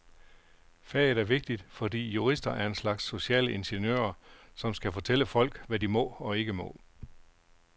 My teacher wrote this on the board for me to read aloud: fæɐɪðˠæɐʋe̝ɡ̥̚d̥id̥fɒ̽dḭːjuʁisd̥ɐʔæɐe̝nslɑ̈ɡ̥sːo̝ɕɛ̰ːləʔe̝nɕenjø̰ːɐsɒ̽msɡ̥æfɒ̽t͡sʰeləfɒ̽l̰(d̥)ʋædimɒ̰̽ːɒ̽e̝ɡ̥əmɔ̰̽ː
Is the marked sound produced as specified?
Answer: no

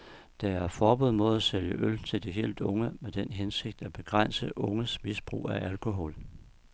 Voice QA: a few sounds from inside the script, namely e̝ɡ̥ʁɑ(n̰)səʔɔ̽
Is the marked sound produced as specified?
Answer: yes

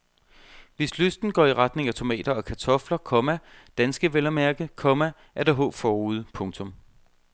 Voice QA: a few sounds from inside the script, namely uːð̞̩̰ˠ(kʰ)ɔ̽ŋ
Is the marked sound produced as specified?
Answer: no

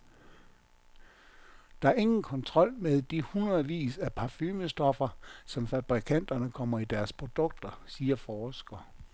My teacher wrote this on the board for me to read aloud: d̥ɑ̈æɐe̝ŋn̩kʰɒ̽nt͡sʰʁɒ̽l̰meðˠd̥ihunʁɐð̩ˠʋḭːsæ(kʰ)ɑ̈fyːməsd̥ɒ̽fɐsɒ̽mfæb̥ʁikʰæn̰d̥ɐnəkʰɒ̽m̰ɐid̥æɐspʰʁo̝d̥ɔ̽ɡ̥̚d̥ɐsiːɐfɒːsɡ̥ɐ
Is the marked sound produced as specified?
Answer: no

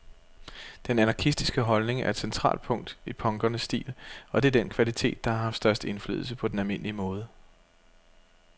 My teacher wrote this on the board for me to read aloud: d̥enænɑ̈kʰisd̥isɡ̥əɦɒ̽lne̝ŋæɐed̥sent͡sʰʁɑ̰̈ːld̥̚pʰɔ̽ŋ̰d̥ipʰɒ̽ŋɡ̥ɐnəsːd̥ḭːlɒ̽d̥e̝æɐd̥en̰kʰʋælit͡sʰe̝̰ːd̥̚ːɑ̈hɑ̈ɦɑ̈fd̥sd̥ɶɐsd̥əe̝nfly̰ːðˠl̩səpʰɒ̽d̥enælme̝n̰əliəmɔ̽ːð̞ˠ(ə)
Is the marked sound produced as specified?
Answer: yes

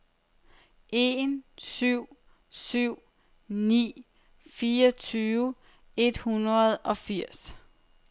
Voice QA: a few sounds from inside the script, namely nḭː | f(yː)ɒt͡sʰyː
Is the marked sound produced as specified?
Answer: no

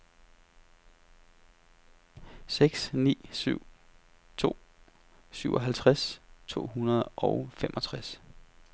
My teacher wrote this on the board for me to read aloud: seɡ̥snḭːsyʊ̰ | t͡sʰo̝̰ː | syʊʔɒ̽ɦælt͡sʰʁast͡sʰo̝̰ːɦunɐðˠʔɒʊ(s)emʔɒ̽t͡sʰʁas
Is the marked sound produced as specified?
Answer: no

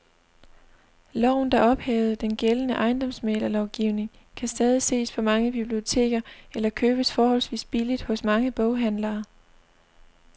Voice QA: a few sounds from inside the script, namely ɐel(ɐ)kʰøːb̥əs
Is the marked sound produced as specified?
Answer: yes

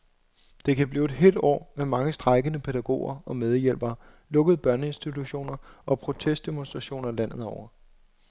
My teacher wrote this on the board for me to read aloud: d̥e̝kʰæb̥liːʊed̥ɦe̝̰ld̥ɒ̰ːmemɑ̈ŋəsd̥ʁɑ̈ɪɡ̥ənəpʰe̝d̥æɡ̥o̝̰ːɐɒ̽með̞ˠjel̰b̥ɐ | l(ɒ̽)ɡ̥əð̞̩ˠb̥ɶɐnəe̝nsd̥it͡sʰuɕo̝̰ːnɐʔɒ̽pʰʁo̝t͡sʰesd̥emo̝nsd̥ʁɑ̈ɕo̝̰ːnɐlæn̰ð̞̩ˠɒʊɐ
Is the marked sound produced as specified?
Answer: no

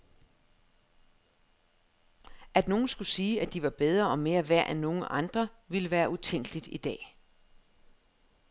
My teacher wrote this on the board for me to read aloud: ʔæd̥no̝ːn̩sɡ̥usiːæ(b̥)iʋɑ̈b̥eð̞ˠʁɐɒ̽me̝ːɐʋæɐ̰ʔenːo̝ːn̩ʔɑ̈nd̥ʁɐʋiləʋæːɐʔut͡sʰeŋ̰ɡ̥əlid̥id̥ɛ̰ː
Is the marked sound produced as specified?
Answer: no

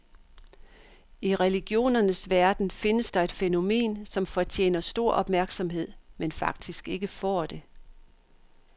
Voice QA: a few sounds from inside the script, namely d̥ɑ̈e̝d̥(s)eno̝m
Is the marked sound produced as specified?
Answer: no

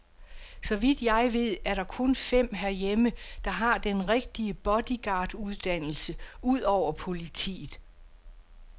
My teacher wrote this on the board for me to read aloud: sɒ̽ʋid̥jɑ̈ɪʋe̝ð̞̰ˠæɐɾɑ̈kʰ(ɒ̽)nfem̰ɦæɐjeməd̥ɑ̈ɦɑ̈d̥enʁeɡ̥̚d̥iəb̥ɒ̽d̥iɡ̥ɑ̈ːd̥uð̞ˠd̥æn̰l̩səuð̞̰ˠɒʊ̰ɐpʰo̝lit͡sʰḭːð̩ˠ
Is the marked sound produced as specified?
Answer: no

